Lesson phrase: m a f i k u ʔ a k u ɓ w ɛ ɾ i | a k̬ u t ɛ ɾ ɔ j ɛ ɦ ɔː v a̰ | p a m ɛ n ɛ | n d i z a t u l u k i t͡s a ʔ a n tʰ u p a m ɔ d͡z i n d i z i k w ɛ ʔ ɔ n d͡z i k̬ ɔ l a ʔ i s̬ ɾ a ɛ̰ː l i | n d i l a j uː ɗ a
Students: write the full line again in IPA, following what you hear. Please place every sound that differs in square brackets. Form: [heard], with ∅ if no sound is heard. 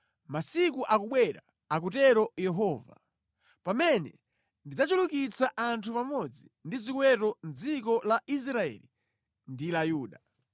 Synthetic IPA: m a [s] i k u ʔ a k u ɓ w ɛ ɾ [a] | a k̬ u t ɛ ɾ ɔ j ɛ ɦ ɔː v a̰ | p a m ɛ n ɛ | n d i [d͡z] a [t͡ʃ] u l u k i t͡s a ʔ a n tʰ u p a m ɔ d͡z i n d i z i k w ɛ [t] ɔ n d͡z i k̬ ɔ l a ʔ i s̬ ɾ a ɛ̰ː l i | n d i l a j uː ɗ a

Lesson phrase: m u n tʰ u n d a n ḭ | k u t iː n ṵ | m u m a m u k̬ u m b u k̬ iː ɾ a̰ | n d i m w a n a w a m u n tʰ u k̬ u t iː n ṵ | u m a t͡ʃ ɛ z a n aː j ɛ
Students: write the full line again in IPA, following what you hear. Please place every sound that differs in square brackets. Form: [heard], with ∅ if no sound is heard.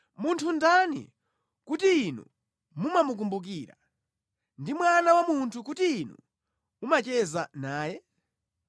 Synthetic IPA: m u n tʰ u n d a n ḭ | k u t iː n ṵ | m u m a m u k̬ u m b u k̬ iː ɾ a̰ | n d i m w a n a w a m u n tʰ u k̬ u t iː n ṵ | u m a t͡ʃ ɛ z a n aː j ɛ

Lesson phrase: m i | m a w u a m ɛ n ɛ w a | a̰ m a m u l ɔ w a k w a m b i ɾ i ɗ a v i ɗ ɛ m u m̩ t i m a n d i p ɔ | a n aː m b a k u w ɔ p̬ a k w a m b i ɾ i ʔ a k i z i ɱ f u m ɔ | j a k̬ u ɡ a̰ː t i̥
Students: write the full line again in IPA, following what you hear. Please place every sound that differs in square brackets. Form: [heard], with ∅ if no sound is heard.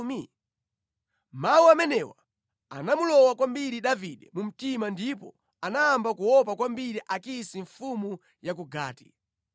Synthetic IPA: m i | m a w u a m ɛ n ɛ w a | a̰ [n] a m u l ɔ w a k w a m b i ɾ i ɗ a v i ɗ ɛ m u m̩ t i m a n d i p ɔ | a n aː m b a k u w ɔ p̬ a k w a m b i ɾ i ʔ a k i [s] i ɱ f u m [u] | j a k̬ u ɡ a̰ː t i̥

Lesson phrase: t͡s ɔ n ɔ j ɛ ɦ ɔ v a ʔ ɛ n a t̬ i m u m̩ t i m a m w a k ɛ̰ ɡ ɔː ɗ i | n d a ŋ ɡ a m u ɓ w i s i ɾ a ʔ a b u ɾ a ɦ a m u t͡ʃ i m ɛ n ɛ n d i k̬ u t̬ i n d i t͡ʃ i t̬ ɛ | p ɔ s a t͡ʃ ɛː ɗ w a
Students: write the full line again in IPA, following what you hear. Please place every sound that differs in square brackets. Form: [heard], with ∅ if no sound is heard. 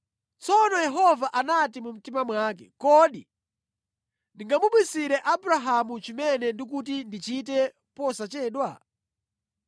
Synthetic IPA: t͡s ɔ n ɔ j ɛ ɦ ɔ v a ʔ [a] n a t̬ i m u m̩ t i m a m w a k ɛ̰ [k] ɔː ɗ i | n d [i] ŋ ɡ a m u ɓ w i s i ɾ [ɛ] ʔ a b u ɾ a ɦ a m u t͡ʃ i m ɛ n ɛ n d i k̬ u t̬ i n d i t͡ʃ i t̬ ɛ | p ɔ s a t͡ʃ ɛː ɗ w a

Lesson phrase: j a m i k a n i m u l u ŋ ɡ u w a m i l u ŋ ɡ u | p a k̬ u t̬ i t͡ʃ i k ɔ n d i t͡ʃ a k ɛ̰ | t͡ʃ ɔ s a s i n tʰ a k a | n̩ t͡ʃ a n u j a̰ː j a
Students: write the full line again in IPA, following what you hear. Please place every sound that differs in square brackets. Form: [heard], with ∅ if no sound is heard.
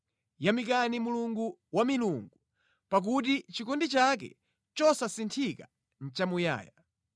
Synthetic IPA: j a m i k a n i m u l u ŋ ɡ u w a m i l u ŋ ɡ u | p a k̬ u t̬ i t͡ʃ i k ɔ n d i t͡ʃ a k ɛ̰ | t͡ʃ ɔ s a s i n tʰ [i] k a | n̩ t͡ʃ a [m] u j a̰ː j a

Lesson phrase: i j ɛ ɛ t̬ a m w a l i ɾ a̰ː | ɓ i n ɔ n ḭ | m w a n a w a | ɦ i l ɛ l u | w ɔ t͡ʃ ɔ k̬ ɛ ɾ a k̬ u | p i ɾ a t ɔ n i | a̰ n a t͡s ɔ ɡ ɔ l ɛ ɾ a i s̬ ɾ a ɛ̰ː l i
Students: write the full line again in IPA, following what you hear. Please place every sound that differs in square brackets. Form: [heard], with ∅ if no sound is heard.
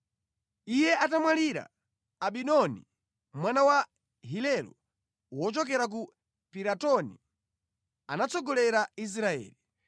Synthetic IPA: i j ɛ [a] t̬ a m w a l i ɾ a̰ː | ɓ i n ɔ n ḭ | m w a n a w a | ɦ i l ɛ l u | w ɔ t͡ʃ ɔ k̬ ɛ ɾ a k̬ u | p i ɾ a t ɔ n i | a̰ n a t͡s ɔ ɡ ɔ l ɛ ɾ a i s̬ ɾ a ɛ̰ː l i

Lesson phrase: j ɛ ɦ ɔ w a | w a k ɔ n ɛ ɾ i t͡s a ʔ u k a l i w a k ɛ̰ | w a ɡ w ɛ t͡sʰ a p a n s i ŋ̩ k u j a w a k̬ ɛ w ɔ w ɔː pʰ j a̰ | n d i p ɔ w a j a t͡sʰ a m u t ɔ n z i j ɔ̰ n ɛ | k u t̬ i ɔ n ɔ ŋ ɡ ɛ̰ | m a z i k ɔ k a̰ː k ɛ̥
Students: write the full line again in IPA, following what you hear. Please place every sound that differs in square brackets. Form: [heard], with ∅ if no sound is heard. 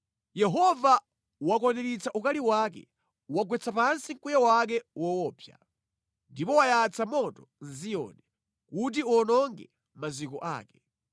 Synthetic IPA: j ɛ ɦ ɔ [v] a | w a k ɔ n ɛ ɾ i t͡s a ʔ u k a l i w a k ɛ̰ | w a ɡ w ɛ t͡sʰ a p a n s i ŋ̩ k u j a w a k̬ ɛ w ɔ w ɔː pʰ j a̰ | n d i p ɔ w a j a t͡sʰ a m [ɔ] t ɔ n z i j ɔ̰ n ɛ | k u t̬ i ɔ n ɔ ŋ ɡ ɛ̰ | m a z i k ɔ [ʔ] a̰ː k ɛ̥

